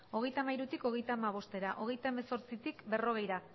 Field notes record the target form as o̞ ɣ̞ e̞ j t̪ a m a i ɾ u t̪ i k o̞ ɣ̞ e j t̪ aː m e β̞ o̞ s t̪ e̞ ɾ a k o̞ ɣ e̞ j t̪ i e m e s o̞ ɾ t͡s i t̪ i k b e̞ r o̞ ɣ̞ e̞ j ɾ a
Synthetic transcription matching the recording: o̞ ɣ̞ e̞ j t̪ a m a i ɾ u t̪ i k o̞ ɣ̞ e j t̪ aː m a β̞ o̞ s t̪ e̞ ɾ a ʔ o̞ ɣ e̞ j t̪ a e m e s o̞ ɾ t͡s i t̪ i k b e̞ r o̞ ɣ̞ e̞ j ɾ a

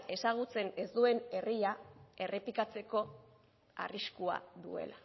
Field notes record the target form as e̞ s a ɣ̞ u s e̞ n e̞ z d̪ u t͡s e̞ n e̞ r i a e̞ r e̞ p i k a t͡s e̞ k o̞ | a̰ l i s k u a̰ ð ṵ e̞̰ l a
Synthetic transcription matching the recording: e̞ s a ɣ̞ u t͡s e̞ n e̞ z d̪ u e̞ n e̞ r i a e̞ r e̞ p i k a t͡s e̞ k o̞ | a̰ r i s k u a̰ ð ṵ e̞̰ l a

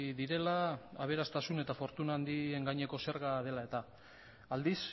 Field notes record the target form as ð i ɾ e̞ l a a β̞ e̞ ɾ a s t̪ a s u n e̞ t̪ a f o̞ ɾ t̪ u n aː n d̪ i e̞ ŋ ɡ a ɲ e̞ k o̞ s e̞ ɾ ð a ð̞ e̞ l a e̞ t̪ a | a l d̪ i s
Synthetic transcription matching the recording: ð i ɾ e̞ l a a β̞ e̞ ɾ a s t̪ a s u n e̞ t̪ a f o̞ ɾ t̪ u n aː n d̪ i e̞ ŋ ɡ a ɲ e̞ k o̞ s e̞ ɾ ɣ a ð̞ e̞ l a e̞ t̪ a | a l d̪ i s

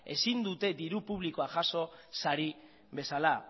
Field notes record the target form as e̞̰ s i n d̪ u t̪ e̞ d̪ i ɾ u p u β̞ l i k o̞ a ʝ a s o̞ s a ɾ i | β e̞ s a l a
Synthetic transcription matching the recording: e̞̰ s i n d̪ u t̪ e̞ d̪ i ɾ u p u β̞ l i k o̞ a ʝ a s o̞ s a ɾ i | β e̞ s a l a

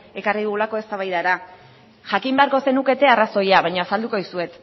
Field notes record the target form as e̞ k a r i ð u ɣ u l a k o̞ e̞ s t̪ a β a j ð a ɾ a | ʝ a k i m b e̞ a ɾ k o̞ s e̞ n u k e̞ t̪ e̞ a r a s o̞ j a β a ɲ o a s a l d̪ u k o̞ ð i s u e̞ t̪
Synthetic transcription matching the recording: e̞ k a r i ð u ɣ u l a k o̞ e̞ s t̪ a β a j ð a ɾ a | ʝ a k i m b e̞ a ɾ k o̞ s e̞ n u k e̞ t̪ e̞ a r a s o̞ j a β a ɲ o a s a l d̪ u k o̞ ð i s u e̞ t̪

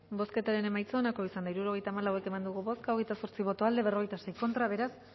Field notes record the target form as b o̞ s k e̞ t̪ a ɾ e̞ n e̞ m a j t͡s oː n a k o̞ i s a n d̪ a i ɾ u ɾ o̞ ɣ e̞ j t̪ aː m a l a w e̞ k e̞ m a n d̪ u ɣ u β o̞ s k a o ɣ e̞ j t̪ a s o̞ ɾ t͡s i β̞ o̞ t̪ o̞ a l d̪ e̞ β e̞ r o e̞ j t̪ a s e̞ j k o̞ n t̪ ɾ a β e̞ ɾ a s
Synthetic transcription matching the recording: b o̞ s k e̞ t̪ a ɾ e̞ n e̞ m a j t͡s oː n a k o̞ i s a n d̪ a i ɾ u ɾ o̞ ɣ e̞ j t̪ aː m a l a w e̞ k e̞ m a n d̪ u ɣ u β o̞ s k a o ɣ e̞ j t̪ a s o̞ ɾ t͡s i β̞ o̞ t̪ o̞ a l d̪ e̞ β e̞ r o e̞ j t̪ a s e̞ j k o̞ n t̪ ɾ a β e̞ ɾ a s

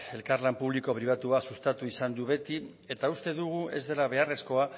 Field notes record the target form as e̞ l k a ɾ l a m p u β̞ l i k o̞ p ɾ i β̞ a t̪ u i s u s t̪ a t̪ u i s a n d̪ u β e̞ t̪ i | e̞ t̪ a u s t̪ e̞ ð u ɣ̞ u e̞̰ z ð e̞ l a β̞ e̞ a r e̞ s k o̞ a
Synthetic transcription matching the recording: e̞ l k a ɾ l a m p u β̞ l i k o̞ p ɾ i β̞ a t̪ u a s u s t̪ a t̪ u i s a n d̪ u β e̞ t̪ i | e̞ t̪ a u s t̪ e̞ ð u ɣ̞ u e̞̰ z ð e̞ l a β̞ e̞ a r e̞ s k o̞ a

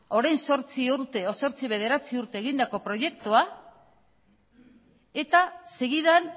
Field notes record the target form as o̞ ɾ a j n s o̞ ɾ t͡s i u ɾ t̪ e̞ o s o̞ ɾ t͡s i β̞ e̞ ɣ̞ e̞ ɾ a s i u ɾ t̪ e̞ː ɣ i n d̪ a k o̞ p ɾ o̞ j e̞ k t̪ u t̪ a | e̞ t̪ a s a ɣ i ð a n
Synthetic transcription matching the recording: o̞ ɾ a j n s o̞ ɾ t͡s i u ɾ t̪ e̞ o s o̞ ɾ t͡s i β̞ e̞ ð̞ e̞ ɾ a t͡s i u ɾ t̪ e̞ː ɣ i n d̪ a k o̞ p ɾ o̞ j e̞ k t̪ u a | e̞ t̪ a s e ɣ i ð a n

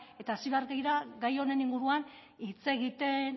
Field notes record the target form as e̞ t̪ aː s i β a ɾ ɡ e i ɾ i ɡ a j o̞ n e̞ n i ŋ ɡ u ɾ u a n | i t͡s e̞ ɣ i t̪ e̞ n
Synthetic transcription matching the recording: e̞ t̪ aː s i β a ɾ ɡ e j ɾ a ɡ a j o̞ n e̞ n i ŋ ɡ u ɾ u a n | i t͡s e̞ ɣ i t̪ e̞ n

